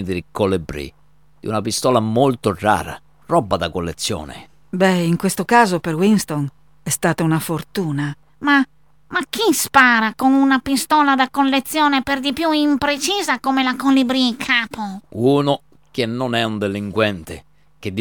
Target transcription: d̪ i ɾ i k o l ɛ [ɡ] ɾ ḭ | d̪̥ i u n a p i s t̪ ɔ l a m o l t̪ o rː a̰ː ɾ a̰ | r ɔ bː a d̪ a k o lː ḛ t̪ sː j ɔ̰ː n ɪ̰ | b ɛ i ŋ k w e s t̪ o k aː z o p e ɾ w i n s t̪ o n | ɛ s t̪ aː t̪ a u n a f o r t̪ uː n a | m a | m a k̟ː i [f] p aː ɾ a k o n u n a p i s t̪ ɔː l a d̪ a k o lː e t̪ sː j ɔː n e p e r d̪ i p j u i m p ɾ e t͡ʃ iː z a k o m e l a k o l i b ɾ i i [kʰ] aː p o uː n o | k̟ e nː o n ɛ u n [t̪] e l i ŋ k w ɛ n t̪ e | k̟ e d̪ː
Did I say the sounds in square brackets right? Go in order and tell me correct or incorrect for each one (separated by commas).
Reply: incorrect, incorrect, correct, incorrect